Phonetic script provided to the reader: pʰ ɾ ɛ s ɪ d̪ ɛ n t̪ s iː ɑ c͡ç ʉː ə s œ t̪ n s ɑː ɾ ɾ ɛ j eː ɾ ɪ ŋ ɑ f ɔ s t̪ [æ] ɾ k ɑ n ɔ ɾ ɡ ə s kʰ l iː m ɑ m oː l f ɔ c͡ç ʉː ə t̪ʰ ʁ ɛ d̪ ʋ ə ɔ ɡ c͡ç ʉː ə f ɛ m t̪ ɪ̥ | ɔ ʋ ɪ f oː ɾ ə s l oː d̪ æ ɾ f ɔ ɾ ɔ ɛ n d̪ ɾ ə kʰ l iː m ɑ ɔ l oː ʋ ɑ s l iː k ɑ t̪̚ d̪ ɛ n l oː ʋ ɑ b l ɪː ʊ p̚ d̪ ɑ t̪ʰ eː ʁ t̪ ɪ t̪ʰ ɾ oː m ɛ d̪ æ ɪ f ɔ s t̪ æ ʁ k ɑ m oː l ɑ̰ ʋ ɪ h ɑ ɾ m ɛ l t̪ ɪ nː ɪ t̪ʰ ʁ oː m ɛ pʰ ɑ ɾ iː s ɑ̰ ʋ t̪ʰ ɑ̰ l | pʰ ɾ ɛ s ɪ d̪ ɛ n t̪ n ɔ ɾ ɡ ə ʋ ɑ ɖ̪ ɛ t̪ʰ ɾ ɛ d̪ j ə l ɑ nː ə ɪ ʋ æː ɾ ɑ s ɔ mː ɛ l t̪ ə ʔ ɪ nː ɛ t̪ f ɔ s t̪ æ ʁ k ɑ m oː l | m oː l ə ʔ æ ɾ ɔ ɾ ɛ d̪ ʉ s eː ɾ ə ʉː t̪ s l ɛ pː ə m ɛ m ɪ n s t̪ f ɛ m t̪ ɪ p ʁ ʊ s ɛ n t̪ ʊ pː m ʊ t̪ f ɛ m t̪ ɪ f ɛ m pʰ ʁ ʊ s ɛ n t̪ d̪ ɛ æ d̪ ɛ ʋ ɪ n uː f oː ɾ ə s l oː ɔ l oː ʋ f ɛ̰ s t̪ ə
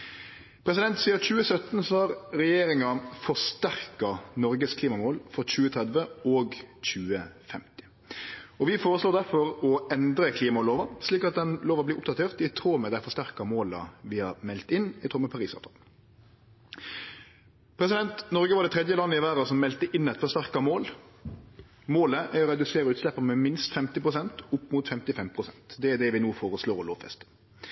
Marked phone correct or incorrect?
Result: correct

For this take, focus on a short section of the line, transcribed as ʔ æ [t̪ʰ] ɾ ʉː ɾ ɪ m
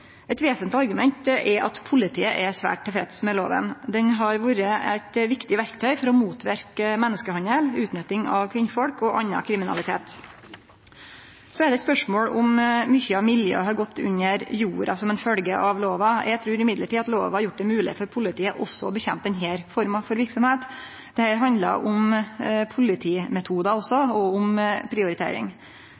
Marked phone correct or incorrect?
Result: correct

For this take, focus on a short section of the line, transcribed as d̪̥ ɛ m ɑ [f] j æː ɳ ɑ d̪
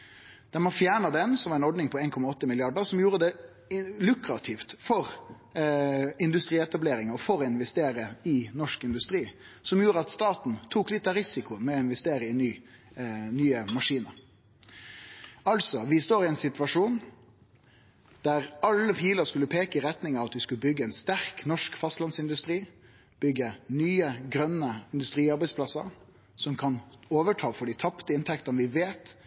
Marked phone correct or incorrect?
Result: correct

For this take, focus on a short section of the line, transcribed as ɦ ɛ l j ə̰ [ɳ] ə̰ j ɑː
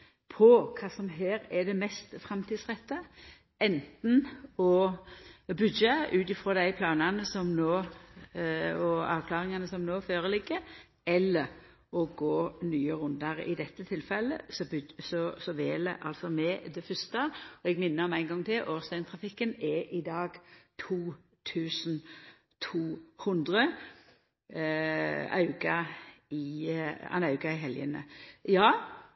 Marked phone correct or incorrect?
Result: incorrect: n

